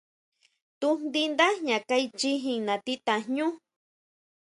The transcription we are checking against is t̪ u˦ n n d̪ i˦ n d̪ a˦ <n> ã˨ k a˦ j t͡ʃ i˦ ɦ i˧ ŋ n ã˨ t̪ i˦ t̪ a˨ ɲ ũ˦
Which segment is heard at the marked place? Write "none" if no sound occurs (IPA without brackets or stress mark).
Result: ɲ